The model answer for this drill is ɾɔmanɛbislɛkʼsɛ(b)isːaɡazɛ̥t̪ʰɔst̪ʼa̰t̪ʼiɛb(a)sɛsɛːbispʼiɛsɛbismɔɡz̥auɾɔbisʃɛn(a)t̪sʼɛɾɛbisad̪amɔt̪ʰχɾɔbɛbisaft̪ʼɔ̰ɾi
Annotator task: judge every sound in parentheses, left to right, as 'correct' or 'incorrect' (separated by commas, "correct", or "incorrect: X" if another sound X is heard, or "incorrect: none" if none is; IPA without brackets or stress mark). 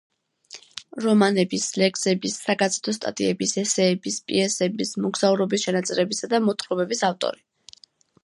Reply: correct, incorrect: i, correct